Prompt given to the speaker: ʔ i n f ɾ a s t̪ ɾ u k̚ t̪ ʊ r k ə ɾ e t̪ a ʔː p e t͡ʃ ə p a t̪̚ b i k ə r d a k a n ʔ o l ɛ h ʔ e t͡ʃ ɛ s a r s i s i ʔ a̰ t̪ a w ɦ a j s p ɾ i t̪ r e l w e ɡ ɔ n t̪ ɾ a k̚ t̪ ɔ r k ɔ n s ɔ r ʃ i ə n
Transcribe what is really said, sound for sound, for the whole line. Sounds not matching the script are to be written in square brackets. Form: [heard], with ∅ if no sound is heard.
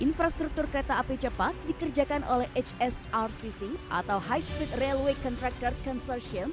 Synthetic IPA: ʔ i n f ɾ a s t̪ ɾ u k̚ t̪ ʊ r k ə ɾ e t̪ a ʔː p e t͡ʃ ə p a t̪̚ [d] i k ə r [d͡ʒ] a k a n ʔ o l ɛ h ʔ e t͡ʃ ɛ s a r s i s i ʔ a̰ t̪ a w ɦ a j s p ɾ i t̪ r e l w e [k] ɔ n t̪ ɾ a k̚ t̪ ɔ r k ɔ n s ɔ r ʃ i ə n